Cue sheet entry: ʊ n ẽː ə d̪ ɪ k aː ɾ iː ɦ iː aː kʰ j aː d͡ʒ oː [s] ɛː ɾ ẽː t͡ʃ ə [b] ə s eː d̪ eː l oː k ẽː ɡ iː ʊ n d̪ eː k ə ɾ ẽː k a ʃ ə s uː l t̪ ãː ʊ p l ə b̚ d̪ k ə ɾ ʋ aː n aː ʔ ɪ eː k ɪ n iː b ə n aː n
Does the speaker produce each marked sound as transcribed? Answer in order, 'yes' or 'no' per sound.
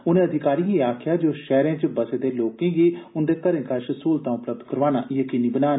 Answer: no, yes

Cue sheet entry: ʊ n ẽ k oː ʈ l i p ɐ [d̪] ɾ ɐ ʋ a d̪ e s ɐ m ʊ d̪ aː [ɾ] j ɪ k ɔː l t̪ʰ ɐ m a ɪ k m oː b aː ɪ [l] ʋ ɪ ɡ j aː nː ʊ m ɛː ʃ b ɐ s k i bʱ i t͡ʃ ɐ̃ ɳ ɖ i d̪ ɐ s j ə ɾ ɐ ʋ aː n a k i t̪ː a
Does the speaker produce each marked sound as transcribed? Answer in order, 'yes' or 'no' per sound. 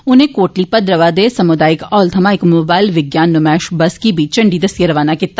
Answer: yes, no, yes

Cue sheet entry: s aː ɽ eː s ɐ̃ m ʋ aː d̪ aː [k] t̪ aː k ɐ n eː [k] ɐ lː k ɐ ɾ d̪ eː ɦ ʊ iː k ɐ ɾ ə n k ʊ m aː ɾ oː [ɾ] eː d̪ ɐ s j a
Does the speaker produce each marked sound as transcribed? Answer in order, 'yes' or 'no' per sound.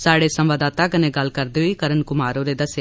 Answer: no, no, yes

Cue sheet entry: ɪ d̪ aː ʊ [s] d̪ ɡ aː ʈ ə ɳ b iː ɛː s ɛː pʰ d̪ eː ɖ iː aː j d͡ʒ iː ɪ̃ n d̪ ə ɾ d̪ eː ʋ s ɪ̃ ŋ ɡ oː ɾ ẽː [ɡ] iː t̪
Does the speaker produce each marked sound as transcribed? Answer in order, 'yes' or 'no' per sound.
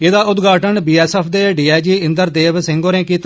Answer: no, no

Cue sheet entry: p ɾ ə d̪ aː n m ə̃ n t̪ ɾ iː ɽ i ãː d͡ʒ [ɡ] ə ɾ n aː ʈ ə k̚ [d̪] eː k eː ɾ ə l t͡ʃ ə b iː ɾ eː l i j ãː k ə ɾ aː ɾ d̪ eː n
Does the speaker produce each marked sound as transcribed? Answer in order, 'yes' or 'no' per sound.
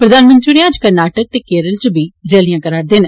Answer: no, no

